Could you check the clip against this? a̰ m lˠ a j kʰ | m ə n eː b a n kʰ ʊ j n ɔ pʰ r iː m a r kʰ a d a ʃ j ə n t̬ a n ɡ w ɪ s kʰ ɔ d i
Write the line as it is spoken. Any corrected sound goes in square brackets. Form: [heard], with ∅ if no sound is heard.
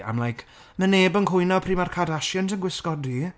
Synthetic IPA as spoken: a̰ m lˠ a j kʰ | m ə n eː b [ə] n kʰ ʊ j n ɔ pʰ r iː m a r kʰ a d a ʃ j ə n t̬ [ə] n ɡ w ɪ s [k] ɔ d i